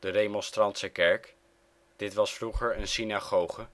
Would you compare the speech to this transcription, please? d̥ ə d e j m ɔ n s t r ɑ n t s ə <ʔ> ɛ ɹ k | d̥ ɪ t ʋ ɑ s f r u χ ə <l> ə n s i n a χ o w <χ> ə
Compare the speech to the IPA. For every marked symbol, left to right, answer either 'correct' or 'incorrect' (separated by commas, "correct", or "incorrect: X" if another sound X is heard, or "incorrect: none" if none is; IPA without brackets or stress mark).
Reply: incorrect: k, incorrect: ɹ, correct